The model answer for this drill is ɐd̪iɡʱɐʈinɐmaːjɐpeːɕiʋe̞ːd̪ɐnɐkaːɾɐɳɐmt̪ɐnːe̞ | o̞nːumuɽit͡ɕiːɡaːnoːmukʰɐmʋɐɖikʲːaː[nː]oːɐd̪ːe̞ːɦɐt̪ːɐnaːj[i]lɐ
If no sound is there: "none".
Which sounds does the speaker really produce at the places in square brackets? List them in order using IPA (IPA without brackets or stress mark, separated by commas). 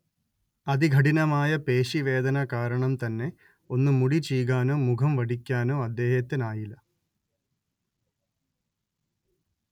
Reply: n, i